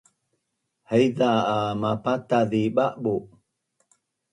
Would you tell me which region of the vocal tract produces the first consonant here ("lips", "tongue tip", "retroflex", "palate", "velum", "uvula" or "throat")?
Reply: throat